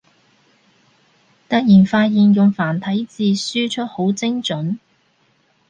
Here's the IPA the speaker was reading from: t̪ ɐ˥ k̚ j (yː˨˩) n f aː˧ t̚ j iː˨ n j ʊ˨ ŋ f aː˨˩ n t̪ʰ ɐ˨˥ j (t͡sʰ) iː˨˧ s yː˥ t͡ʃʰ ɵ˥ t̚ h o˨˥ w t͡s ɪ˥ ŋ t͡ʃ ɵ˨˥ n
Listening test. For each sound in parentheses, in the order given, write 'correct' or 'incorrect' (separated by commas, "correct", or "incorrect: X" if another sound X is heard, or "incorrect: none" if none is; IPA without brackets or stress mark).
incorrect: iː˨˩, incorrect: t͡s